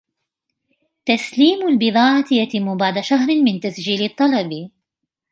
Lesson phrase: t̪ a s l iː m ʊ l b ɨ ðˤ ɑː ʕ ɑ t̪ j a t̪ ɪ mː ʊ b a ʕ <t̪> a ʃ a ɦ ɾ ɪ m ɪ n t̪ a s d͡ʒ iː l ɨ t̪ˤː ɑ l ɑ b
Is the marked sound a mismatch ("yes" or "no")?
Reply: yes